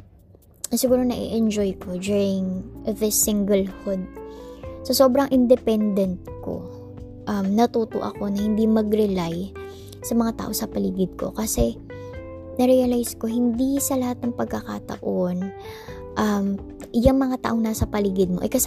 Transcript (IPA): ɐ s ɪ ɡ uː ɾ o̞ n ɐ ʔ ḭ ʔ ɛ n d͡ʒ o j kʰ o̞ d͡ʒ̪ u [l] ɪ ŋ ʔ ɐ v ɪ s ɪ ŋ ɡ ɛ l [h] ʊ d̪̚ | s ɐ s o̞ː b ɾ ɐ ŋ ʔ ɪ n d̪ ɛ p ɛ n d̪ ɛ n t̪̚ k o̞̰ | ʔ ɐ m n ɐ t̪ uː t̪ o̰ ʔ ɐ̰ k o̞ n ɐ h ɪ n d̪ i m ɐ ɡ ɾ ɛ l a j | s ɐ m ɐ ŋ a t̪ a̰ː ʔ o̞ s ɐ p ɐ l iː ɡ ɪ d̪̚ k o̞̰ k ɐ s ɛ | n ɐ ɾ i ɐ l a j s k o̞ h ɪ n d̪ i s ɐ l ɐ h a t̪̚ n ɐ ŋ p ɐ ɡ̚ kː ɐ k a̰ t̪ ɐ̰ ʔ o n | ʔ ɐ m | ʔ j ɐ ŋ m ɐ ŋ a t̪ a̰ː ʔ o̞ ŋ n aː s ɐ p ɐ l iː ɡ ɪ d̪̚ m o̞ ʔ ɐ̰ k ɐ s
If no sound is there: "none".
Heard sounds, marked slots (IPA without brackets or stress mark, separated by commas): ɹ, h